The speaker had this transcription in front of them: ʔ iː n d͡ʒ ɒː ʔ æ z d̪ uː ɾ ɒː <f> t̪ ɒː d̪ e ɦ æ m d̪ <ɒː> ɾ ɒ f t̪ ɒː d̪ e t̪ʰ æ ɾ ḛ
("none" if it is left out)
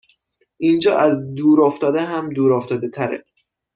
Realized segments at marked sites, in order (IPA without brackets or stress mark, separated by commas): f, uː